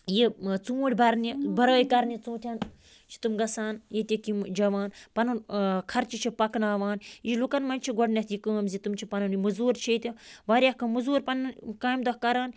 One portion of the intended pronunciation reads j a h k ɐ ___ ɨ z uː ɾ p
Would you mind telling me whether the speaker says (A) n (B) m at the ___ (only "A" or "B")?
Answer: B